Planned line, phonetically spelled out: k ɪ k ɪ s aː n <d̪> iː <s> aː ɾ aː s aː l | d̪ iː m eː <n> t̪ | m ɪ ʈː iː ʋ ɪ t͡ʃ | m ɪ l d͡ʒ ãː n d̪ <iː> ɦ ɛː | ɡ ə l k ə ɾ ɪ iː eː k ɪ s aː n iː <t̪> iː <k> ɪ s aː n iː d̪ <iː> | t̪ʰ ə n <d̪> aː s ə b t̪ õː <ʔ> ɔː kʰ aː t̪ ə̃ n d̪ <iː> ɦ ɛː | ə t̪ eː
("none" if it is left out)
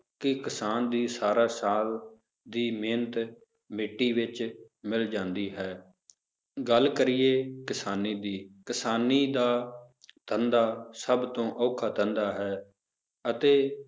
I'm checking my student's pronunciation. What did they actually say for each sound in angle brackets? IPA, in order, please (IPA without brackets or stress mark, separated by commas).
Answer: d̪, s, n, iː, d̪, k, aː, d̪, ʔ, aː